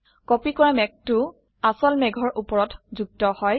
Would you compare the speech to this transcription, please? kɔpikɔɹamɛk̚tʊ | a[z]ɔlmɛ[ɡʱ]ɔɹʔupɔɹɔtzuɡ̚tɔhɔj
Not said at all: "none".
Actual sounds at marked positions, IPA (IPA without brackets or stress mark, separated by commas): s, ɡʱ